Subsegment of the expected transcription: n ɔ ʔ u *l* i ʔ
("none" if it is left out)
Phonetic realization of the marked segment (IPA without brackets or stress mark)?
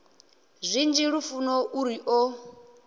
ɾ